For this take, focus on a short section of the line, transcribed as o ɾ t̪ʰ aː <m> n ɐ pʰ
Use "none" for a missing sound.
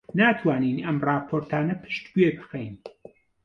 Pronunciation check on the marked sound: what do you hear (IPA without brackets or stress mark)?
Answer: none